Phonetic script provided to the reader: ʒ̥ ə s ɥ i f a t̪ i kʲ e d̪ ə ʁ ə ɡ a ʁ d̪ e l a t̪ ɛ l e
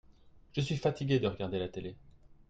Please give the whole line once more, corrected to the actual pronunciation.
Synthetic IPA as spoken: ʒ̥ ə s ɥ i f a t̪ i ɡʲ e d̪ ə ʁ ə ɡ a ʁ d̪ e l a t̪ e l e